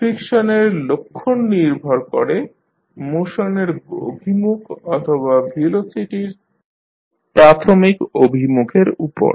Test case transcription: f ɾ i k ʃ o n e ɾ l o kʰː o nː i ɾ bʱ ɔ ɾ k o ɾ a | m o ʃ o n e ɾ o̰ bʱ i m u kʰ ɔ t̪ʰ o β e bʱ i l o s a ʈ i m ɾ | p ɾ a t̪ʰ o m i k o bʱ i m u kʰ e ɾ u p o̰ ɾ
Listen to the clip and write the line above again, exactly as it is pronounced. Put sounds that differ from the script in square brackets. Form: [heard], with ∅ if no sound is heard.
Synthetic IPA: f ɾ i k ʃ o n e ɾ l o kʰː o nː i ɾ bʱ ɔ ɾ k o ɾ [e] | m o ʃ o n e ɾ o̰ bʱ i m u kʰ ɔ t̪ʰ o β [a] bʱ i l o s [i] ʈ i [∅] ɾ | p ɾ a t̪ʰ o m i k o bʱ i m u kʰ e ɾ u p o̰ ɾ